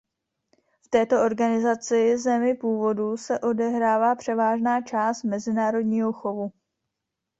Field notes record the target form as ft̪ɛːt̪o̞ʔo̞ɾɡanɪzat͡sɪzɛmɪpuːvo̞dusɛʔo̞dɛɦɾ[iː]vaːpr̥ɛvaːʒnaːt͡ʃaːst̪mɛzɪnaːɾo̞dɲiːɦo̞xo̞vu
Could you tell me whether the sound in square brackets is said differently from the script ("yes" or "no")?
yes